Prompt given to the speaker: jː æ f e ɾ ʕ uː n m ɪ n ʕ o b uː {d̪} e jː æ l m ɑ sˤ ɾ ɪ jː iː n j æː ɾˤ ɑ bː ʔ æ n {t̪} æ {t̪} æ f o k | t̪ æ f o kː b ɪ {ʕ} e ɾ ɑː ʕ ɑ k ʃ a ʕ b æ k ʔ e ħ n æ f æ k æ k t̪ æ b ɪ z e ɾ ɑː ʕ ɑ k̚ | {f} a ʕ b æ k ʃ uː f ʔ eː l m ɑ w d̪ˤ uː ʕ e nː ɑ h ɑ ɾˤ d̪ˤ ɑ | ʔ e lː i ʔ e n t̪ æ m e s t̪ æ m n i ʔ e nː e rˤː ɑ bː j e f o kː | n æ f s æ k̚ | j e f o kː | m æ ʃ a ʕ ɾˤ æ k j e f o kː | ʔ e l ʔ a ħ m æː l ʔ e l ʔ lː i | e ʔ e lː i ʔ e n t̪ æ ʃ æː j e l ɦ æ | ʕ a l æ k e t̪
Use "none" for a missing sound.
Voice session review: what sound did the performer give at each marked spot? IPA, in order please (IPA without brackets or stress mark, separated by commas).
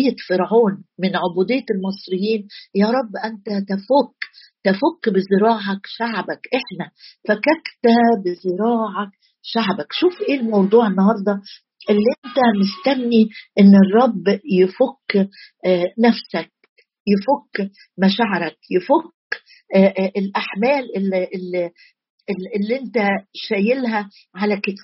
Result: d̪, t̪, t̪, z, ʃ